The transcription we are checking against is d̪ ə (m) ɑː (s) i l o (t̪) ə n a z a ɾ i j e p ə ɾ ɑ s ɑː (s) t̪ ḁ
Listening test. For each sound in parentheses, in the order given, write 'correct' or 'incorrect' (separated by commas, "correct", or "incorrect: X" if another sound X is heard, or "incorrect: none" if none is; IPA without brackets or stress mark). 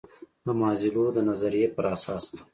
correct, incorrect: z, incorrect: d̪, correct